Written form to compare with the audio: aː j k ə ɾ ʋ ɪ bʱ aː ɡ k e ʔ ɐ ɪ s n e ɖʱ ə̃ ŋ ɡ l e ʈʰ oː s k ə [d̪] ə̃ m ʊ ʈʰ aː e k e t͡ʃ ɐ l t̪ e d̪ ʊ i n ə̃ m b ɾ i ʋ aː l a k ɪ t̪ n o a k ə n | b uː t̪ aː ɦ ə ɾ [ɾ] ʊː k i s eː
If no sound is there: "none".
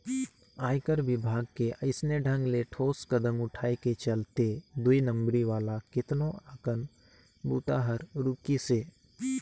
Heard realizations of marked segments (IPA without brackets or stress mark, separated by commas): d̪, ɾ